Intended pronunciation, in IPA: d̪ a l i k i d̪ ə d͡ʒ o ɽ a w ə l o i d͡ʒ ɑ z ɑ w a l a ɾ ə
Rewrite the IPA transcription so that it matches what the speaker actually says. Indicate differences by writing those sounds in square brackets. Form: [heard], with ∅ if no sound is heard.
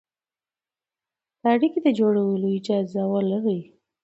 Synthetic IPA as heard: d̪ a [ɽ] i k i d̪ ə d͡ʒ o ɽ a w ə l o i d͡ʒ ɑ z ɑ w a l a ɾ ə